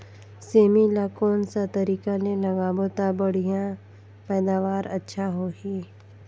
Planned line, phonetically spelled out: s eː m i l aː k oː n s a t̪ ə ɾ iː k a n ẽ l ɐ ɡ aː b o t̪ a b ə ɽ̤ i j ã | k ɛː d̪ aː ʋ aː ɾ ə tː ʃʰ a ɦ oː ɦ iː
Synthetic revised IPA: s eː m i l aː k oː n s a t̪ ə ɾ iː k a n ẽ l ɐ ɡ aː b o t̪ a b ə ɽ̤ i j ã | p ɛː d̪ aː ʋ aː ɾ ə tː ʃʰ a ɦ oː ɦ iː